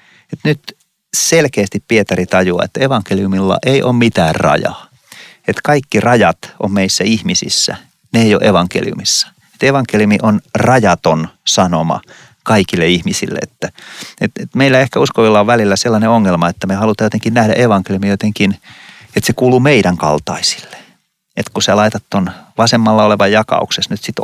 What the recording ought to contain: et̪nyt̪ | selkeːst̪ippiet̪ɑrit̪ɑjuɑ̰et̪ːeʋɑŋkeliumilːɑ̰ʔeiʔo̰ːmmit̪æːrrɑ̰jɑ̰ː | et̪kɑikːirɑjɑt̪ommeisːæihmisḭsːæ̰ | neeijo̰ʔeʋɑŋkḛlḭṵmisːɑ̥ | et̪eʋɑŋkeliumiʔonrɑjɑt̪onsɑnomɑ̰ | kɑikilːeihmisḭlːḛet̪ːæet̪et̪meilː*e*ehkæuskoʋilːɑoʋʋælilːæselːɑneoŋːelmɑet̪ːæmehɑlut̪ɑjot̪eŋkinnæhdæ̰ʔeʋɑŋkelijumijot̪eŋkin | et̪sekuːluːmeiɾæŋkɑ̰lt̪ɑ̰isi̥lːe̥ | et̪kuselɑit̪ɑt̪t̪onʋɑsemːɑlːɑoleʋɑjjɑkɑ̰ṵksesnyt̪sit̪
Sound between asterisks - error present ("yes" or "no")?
yes